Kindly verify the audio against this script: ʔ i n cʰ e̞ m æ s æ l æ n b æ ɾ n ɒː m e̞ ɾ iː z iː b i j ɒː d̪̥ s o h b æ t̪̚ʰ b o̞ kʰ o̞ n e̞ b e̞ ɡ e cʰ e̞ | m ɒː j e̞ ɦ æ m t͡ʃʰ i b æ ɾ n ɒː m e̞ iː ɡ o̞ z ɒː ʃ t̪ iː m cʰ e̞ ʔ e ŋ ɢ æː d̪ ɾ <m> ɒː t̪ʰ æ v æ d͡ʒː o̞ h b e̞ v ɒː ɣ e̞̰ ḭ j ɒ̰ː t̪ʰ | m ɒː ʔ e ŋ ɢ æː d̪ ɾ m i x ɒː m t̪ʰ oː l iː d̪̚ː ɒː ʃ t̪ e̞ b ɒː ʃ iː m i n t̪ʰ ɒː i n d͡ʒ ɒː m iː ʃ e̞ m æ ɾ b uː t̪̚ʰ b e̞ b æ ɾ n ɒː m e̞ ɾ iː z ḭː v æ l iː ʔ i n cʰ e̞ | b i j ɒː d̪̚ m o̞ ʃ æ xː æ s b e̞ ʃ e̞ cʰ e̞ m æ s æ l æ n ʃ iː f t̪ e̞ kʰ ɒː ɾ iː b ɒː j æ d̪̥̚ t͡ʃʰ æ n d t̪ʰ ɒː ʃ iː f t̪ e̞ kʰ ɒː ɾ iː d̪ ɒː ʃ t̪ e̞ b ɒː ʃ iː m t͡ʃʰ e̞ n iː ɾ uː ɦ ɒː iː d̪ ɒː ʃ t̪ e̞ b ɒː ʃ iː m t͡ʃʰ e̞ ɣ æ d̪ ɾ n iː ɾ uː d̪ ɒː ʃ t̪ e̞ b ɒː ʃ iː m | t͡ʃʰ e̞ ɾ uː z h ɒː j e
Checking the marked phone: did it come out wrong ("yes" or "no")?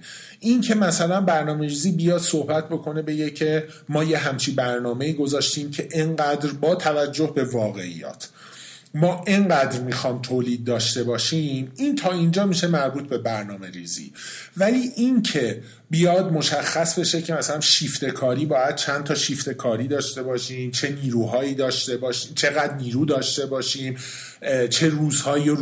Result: yes